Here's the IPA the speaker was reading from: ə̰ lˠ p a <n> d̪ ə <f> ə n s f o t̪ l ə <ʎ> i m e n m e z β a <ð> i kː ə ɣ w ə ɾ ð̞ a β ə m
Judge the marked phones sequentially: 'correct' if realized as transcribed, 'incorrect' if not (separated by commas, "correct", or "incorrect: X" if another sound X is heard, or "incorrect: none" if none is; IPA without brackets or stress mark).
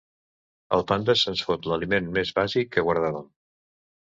correct, incorrect: s, incorrect: l, incorrect: z